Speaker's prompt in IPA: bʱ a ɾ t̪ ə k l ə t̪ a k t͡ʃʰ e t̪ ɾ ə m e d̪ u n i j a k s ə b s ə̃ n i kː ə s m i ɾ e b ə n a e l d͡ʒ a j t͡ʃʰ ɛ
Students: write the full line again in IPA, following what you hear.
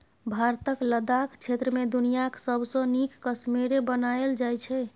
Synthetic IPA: bʱ a ɾ t̪ ə k l ə d̪ a k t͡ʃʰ e t̪ ɾ ə m e d̪ u n i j a k s ə b s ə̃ n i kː ə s m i ɾ e b ə n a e l d͡ʒ a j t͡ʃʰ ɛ